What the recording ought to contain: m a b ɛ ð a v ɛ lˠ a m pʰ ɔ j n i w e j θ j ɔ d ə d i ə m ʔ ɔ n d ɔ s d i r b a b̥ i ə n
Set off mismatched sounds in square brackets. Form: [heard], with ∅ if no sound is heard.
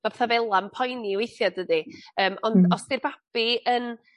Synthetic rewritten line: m a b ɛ [θ] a v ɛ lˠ a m pʰ ɔ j n i w e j θ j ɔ d ə d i [əː] m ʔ ɔ n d ɔ s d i r b a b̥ i ə n